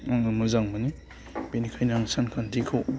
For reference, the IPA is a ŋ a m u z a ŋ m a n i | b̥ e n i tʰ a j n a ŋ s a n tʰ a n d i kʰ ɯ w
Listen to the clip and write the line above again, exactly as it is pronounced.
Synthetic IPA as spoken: a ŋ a m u z a ŋ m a n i | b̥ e n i kʰ a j n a ŋ s a n kʰ a n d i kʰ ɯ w